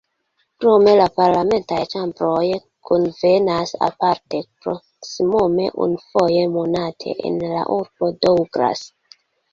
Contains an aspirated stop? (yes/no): yes